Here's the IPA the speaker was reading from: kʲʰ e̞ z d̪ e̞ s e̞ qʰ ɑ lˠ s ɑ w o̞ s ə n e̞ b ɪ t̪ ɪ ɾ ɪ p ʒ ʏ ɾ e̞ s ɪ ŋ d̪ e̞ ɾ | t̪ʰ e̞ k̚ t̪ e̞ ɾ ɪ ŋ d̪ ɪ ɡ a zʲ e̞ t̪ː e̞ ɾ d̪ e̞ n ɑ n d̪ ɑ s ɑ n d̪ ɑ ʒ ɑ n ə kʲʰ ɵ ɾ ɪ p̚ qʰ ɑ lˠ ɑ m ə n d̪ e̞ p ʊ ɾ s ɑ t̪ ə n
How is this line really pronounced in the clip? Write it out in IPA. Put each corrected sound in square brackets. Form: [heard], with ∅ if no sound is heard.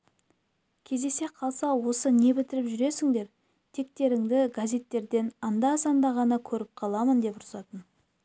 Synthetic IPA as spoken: kʲʰ e̞ z d̪ e̞ s e̞ qʰ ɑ lˠ s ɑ w o̞ s ə n e̞ b ɪ t̪ ɪ ɾ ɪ p ʒ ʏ ɾ e̞ s ɪ ŋ d̪ e̞ ɾ | t̪ʰ e̞ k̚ t̪ e̞ ɾ ɪ ŋ d̪ ɪ ɡ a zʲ e̞ t̪ː e̞ ɾ d̪ e̞ n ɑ n d̪ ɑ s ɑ n d̪ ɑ [ʁ] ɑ n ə kʲʰ ɵ ɾ ɪ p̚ qʰ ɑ lˠ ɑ m ə n d̪ e̞ p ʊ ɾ s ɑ t̪ ə n